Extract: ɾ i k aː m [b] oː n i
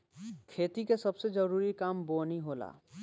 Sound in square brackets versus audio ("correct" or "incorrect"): correct